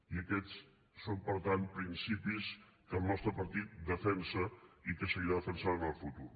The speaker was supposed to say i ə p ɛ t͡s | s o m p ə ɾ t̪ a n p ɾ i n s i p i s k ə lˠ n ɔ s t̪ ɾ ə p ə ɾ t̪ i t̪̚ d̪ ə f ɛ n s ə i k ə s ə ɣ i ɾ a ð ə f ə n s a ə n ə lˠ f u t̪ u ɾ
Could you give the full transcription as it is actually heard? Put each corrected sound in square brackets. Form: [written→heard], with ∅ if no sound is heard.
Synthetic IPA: i ə [p→k] ɛ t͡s | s o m p ə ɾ t̪ a n p ɾ i n s i p i s k ə lˠ n ɔ s t̪ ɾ ə p ə ɾ t̪ i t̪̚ d̪ ə f ɛ n s ə i k ə s ə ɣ i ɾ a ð ə f ə n s a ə n ə lˠ f u t̪ u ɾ